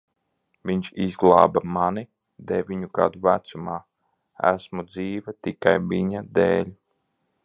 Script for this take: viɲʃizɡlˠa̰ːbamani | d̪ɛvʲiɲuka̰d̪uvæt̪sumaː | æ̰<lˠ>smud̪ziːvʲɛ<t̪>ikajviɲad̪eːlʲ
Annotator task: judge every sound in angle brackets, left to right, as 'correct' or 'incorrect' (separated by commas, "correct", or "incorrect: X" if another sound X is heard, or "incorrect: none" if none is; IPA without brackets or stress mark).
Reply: incorrect: none, correct